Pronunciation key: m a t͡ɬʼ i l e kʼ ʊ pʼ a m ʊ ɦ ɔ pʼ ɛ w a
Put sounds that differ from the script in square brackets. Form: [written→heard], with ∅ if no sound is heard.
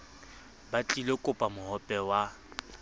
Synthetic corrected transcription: [m→b] a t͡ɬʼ i l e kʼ ʊ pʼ a m ʊ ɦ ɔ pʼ ɛ w a